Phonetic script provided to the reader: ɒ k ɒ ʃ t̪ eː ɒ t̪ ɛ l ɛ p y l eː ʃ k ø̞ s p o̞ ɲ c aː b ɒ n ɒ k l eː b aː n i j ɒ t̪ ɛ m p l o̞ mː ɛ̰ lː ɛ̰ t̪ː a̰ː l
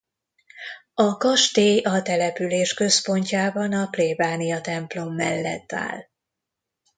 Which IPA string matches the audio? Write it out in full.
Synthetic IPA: ɒ k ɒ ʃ t̪ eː ɒ t̪ ɛ l ɛ p y l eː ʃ k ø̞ s p o̞ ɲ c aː b ɒ n ɒ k l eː b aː n i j ɒ t̪ ɛ m p l o̞ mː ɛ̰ lː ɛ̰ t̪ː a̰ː l